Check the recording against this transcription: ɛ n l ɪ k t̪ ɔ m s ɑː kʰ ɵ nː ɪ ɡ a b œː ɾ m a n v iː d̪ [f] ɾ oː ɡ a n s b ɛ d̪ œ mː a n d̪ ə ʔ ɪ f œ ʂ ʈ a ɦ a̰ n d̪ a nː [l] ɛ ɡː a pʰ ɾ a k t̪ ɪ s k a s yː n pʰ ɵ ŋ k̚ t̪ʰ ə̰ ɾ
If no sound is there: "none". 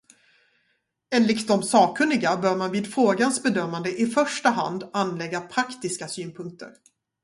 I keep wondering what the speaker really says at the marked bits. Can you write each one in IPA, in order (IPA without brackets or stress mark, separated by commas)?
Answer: f, l